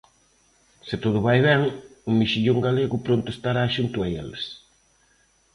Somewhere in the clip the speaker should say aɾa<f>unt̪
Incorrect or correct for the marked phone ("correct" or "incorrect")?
incorrect